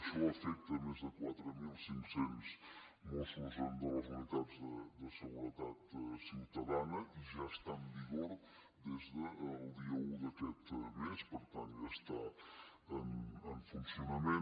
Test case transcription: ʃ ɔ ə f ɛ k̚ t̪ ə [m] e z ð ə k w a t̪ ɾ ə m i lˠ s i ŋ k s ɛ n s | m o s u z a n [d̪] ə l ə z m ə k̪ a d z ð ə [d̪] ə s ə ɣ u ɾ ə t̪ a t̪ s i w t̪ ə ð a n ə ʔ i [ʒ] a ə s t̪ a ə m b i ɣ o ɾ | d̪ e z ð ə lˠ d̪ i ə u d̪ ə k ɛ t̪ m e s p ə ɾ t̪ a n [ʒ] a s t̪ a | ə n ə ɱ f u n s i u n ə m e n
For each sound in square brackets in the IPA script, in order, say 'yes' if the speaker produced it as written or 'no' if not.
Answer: yes, yes, yes, yes, yes

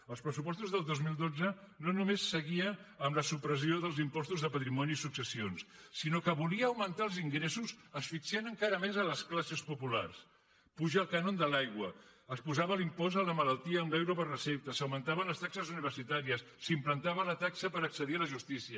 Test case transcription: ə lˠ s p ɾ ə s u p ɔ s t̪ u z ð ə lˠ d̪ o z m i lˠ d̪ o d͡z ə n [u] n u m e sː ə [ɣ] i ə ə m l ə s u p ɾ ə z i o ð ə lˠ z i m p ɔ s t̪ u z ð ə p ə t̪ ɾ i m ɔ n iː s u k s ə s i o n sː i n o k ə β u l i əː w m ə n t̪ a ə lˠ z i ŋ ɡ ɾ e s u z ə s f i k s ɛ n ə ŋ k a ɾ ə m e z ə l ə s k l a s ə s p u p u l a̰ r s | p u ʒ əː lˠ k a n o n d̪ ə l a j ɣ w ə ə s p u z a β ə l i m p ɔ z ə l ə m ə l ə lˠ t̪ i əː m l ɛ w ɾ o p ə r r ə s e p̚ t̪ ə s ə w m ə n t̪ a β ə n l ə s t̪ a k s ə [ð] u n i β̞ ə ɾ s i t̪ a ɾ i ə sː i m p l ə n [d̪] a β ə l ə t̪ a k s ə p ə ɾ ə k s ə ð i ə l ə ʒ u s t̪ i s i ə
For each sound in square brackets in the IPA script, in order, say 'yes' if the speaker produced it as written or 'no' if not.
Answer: no, yes, no, no

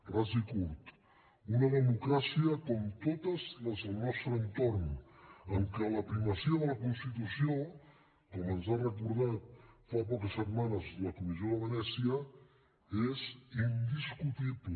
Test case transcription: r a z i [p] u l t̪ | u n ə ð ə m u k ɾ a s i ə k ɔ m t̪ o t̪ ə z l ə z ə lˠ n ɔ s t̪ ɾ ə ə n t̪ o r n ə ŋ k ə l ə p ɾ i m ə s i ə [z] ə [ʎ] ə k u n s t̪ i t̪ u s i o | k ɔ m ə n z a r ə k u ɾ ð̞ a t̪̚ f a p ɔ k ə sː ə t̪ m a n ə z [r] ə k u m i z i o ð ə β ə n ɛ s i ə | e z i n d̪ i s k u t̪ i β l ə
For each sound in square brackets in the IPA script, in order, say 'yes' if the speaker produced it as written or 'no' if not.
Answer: no, no, no, no

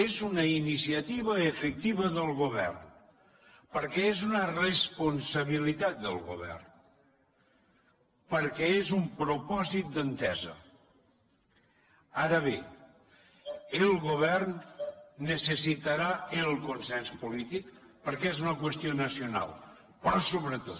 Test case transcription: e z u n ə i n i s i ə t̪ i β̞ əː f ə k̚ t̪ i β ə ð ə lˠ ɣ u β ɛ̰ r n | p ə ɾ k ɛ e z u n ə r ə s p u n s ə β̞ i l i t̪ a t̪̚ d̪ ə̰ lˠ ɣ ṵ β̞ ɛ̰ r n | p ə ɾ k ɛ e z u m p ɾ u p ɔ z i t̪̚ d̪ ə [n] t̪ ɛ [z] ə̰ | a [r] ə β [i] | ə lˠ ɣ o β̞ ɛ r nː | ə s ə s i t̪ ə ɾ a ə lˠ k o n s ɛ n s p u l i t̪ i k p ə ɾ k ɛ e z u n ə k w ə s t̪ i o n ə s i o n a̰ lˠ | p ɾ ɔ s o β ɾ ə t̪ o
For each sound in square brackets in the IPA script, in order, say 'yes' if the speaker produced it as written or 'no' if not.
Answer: yes, yes, no, no

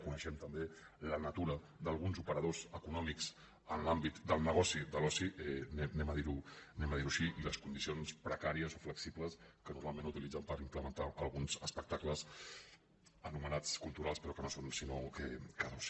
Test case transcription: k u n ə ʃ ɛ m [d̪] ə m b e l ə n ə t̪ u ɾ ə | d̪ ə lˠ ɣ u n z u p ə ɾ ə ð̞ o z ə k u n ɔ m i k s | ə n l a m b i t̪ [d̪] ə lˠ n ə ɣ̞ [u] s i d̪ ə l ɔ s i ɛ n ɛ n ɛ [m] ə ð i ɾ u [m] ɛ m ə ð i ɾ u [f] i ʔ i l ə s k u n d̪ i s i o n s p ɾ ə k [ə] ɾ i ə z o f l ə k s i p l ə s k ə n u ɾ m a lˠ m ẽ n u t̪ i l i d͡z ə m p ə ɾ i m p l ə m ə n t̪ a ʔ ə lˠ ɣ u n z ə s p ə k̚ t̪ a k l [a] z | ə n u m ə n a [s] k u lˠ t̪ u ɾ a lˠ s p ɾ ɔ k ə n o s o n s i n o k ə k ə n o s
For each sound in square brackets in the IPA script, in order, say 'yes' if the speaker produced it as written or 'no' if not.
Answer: no, yes, no, yes, no, no, no, no, no

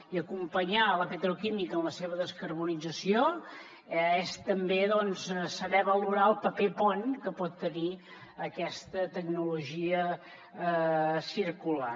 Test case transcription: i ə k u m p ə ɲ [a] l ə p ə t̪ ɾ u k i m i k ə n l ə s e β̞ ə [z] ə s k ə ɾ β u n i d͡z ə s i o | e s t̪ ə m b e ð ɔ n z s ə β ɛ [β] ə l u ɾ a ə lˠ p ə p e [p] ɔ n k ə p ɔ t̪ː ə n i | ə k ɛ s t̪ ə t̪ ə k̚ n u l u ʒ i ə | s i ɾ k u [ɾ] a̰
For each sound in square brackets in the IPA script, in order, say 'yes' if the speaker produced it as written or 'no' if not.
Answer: yes, no, yes, yes, no

